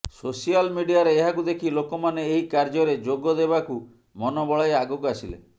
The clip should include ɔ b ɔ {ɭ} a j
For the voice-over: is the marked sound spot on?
yes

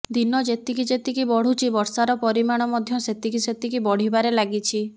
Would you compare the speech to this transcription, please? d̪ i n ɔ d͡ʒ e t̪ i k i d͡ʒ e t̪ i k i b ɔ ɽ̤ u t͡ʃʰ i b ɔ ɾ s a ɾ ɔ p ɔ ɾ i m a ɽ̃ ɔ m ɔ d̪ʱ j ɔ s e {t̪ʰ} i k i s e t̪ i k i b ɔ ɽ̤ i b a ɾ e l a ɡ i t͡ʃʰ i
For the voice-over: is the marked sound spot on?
no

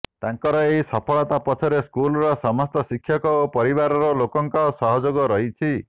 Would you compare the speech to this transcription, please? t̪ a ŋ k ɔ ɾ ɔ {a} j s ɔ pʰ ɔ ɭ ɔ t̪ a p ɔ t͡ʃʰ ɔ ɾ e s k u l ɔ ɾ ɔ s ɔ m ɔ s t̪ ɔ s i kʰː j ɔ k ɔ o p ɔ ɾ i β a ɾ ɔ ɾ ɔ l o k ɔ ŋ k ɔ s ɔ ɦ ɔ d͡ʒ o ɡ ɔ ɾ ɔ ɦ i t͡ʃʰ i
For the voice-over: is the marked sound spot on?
no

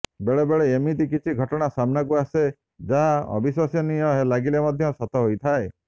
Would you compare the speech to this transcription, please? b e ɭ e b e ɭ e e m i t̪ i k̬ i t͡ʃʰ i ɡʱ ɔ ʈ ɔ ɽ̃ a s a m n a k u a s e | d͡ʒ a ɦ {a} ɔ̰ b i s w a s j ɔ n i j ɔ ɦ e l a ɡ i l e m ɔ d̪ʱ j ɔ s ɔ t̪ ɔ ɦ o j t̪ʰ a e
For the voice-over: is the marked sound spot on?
yes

